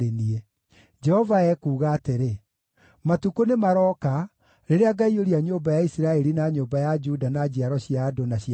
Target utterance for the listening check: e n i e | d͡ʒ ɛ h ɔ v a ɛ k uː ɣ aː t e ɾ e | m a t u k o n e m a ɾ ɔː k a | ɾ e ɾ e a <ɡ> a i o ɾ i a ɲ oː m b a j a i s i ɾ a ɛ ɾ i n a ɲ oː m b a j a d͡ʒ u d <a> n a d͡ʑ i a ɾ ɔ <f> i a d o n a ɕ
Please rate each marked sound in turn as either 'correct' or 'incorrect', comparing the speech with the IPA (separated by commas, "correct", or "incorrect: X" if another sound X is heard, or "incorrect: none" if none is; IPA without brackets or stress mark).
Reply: correct, correct, incorrect: ɕ